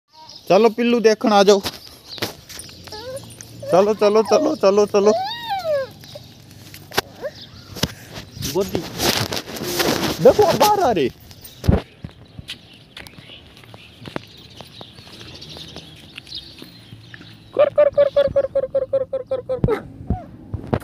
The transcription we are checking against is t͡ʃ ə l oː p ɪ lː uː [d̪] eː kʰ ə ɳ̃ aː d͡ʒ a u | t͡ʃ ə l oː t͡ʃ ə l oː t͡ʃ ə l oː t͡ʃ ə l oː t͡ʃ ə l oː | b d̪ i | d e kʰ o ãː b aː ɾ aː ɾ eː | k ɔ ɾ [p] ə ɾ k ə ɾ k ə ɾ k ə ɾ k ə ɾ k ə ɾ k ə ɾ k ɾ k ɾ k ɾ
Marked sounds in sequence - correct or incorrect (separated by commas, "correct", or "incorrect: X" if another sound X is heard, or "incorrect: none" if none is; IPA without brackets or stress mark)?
correct, incorrect: k